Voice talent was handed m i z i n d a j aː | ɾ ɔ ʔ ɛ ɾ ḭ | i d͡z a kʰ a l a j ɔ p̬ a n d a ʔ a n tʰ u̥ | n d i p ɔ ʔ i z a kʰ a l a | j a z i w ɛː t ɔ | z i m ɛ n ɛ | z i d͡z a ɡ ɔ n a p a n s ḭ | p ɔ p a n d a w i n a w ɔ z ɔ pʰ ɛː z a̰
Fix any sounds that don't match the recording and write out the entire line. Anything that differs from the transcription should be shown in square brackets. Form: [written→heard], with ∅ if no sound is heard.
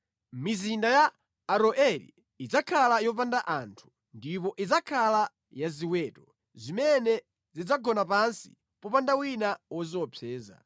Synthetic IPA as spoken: m i z i n d a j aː | ɾ ɔ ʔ ɛ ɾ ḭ | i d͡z a kʰ a l a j ɔ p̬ a n d a ʔ a n tʰ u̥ | n d i p ɔ ʔ i [z→d͡z] a kʰ a l a | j a z i w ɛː t ɔ | z i m ɛ n ɛ | z i d͡z a ɡ ɔ n a p a n s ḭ | p ɔ p a n d a w i n a w ɔ z ɔ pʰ ɛː z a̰